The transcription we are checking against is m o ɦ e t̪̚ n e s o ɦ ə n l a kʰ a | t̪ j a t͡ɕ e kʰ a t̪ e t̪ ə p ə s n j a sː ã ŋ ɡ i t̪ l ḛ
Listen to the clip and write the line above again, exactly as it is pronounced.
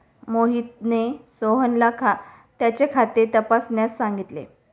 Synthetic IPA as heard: m o ɦ i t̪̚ n e s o ɦ ə n l a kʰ a | t̪ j a t͡ɕ e kʰ a t̪ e t̪ ə p a s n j a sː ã ŋ ɡ i t̪ l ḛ